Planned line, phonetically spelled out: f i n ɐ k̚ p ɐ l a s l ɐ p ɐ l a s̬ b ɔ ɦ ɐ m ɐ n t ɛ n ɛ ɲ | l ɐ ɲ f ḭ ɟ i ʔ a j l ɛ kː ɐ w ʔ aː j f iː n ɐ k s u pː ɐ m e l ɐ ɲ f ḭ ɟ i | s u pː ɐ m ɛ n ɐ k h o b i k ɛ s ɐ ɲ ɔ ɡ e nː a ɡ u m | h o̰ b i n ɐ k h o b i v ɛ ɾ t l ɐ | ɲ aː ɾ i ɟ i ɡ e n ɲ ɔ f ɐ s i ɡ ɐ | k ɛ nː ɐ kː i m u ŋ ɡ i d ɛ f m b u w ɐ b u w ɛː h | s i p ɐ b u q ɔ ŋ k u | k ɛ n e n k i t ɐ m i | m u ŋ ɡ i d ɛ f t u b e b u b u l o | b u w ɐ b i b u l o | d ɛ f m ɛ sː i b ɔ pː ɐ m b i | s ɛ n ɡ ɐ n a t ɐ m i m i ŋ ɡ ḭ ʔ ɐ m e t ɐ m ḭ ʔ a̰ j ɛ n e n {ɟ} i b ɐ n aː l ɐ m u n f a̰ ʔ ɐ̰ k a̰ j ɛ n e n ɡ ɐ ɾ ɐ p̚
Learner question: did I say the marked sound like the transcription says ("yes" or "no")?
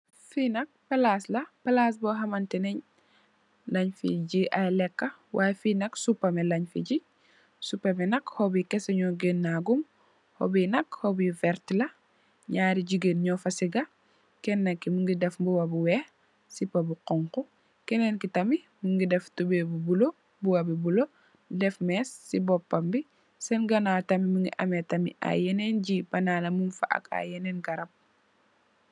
yes